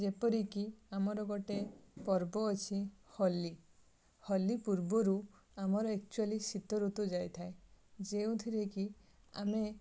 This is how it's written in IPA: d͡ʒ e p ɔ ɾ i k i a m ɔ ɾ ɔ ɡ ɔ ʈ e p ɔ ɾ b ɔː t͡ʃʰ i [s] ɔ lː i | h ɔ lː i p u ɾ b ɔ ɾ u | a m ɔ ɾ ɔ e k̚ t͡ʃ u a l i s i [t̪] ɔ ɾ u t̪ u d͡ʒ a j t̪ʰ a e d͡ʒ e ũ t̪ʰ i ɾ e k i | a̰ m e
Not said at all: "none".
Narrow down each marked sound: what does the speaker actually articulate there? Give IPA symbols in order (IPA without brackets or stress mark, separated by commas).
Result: h, t̪